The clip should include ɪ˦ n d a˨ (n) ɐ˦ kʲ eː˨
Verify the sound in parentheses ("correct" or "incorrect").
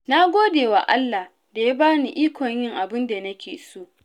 correct